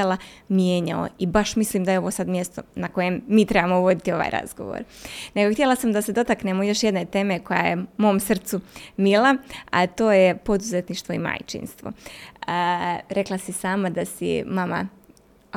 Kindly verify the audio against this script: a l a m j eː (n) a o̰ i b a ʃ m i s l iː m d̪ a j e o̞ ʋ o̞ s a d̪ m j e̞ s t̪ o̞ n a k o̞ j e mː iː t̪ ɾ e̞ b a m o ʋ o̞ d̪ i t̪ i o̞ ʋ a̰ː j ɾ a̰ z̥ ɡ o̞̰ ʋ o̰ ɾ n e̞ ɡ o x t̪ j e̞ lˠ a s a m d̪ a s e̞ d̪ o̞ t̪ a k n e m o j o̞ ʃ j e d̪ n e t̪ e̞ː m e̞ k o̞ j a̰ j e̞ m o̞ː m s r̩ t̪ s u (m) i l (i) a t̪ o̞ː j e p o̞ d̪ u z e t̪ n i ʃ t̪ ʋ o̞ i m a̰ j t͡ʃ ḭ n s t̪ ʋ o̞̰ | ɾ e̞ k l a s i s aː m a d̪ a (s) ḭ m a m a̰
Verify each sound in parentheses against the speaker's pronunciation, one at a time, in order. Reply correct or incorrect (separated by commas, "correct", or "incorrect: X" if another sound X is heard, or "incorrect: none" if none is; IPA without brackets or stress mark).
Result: incorrect: ɲ, correct, incorrect: a, correct